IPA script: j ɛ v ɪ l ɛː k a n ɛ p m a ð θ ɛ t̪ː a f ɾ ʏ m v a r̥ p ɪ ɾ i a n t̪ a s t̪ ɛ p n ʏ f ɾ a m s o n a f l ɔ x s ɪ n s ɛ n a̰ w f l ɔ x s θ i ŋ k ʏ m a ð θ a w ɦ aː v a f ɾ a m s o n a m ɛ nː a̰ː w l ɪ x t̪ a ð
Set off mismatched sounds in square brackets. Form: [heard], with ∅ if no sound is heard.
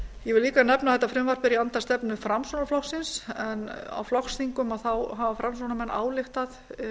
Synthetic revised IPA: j ɛ v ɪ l [iː] k a n ɛ p [n] a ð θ ɛ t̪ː a f ɾ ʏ m v a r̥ p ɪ ɾ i a n t̪ a s t̪ ɛ p n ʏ f ɾ a m s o n a f l ɔ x s ɪ n s ɛ n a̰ w f l ɔ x s θ i ŋ k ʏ m a ð θ a w ɦ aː v a f ɾ a m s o n a m ɛ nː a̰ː w l ɪ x t̪ a ð